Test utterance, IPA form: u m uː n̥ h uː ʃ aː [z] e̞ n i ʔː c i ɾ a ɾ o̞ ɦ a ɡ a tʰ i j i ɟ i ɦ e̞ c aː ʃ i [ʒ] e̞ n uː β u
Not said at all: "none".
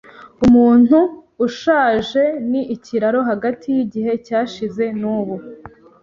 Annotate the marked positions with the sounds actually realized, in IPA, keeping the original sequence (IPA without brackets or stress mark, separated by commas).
ʒ, z